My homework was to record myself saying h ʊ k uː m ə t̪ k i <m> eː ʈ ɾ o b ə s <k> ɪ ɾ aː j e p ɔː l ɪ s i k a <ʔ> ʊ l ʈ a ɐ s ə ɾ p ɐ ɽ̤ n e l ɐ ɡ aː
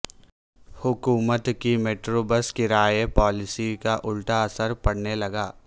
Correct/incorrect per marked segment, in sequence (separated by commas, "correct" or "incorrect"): correct, correct, correct